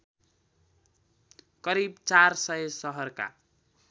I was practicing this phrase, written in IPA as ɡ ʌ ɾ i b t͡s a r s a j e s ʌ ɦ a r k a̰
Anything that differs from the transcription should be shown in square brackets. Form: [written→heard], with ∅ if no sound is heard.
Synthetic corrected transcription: [ɡ→k] ʌ ɾ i b t͡s a r s [a→ʌ] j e s ʌ ɦ [a→ʌ] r k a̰